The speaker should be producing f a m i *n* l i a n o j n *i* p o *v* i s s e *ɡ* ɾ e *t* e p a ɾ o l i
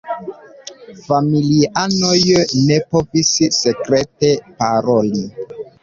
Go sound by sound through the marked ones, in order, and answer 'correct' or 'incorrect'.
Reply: incorrect: none, incorrect: e, correct, incorrect: k, correct

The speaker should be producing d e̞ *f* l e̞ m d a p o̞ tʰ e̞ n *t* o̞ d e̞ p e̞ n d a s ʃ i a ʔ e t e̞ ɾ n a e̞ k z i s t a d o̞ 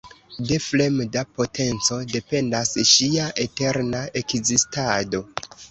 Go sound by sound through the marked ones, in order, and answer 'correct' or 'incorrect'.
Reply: correct, incorrect: t͡s

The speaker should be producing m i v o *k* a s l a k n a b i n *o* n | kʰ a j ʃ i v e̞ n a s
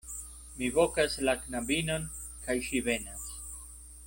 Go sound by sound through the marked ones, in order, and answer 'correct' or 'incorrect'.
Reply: correct, correct

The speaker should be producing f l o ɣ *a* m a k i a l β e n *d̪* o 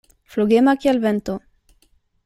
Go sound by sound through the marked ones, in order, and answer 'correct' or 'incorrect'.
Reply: incorrect: e, incorrect: t̪

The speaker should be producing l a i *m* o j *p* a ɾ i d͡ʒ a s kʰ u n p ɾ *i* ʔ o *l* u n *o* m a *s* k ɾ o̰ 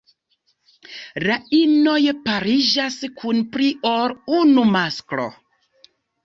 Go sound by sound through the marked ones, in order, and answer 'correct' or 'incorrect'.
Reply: incorrect: n, correct, correct, incorrect: ɾ, incorrect: u, correct

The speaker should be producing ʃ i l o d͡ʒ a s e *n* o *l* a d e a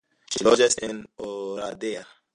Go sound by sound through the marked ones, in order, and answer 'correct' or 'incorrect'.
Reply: correct, incorrect: ɾ

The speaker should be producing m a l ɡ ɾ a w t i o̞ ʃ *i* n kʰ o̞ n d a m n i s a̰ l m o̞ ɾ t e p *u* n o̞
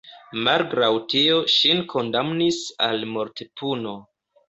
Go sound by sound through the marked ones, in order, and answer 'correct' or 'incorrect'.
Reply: correct, correct

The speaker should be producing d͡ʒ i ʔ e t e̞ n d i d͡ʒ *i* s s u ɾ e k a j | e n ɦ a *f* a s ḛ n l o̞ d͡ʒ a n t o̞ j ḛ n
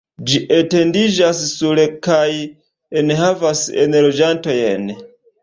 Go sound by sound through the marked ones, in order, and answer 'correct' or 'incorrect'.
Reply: incorrect: a, incorrect: v

